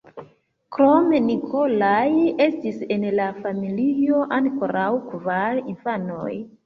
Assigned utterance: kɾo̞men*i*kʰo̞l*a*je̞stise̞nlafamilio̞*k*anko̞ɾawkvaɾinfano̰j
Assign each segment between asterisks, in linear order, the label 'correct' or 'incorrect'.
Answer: correct, correct, incorrect: ʔ

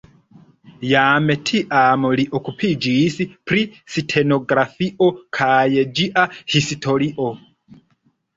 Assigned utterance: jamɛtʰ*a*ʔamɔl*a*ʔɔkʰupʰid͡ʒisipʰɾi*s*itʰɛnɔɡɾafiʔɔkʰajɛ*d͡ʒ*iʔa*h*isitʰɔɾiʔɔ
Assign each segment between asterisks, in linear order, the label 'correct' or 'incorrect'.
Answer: incorrect: i, incorrect: i, correct, correct, correct

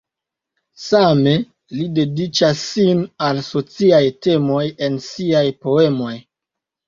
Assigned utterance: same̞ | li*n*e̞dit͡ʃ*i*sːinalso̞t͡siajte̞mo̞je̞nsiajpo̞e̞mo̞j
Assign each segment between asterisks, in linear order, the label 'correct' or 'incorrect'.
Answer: incorrect: d, incorrect: a

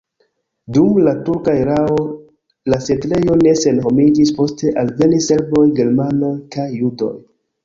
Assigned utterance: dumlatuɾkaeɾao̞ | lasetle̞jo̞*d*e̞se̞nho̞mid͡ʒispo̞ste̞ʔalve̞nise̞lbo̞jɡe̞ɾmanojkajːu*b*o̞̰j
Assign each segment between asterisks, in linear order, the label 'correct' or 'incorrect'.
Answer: incorrect: n, incorrect: d

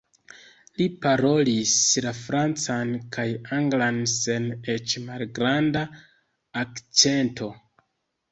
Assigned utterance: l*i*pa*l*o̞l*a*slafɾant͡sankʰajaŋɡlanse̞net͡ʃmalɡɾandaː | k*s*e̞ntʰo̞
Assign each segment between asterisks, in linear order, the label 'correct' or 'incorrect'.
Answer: correct, incorrect: ɾ, incorrect: i, incorrect: t͡s

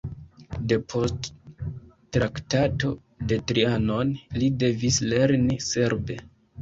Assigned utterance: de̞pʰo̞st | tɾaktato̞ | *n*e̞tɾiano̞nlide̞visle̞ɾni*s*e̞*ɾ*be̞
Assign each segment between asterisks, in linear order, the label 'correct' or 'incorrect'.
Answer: incorrect: d, correct, correct

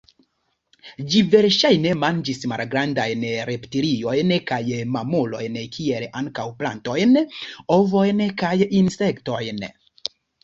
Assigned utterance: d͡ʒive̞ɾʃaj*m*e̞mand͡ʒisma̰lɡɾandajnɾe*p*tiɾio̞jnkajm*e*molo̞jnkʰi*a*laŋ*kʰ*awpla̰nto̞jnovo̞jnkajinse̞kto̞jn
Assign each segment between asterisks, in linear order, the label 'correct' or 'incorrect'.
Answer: incorrect: n, correct, incorrect: a, incorrect: e, incorrect: k

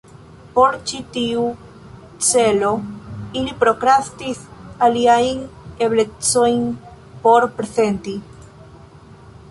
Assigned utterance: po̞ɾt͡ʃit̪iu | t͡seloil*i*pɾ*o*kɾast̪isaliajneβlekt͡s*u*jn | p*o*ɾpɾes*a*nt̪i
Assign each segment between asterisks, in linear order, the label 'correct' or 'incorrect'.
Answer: correct, correct, incorrect: o, correct, incorrect: e

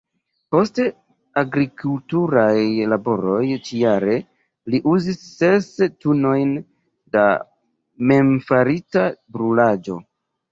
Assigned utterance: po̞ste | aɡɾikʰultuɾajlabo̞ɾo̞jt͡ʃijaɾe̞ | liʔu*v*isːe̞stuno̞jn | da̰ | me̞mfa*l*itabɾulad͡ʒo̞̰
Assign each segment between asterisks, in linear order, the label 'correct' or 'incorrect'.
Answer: incorrect: z, incorrect: ɾ

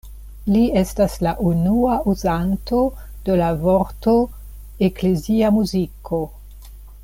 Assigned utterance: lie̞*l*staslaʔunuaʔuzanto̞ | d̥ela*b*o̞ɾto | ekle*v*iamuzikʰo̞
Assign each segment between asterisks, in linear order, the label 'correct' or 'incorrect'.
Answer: incorrect: none, incorrect: v, incorrect: z

